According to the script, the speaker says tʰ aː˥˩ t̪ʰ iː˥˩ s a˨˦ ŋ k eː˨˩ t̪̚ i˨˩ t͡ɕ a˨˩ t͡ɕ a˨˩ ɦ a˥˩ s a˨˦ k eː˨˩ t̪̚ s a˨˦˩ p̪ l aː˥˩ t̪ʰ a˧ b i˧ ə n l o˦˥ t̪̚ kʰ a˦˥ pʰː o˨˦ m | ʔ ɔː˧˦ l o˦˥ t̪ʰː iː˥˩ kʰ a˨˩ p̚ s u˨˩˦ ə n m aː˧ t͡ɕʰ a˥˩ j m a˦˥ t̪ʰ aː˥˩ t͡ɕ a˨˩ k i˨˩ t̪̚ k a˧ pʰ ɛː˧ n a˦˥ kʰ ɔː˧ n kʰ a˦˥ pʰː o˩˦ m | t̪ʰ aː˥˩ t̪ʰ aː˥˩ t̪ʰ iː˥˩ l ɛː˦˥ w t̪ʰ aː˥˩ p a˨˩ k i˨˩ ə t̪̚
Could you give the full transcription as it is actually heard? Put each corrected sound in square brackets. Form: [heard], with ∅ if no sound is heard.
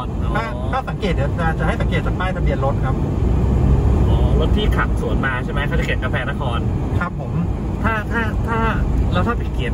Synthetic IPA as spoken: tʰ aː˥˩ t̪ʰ [aː˥˩] s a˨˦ ŋ k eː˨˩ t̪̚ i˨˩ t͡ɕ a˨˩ t͡ɕ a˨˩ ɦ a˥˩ s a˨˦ k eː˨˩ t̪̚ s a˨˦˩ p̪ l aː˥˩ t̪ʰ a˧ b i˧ ə n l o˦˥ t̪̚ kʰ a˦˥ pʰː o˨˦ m | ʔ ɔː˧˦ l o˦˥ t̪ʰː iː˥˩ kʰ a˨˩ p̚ s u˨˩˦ ə n m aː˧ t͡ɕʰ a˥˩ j m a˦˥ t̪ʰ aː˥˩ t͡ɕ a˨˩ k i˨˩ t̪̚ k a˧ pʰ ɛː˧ n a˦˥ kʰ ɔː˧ n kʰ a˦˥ pʰː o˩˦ m | t̪ʰ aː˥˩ t̪ʰ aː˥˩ t̪ʰ [aː˥˩] l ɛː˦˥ w t̪ʰ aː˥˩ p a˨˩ k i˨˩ ə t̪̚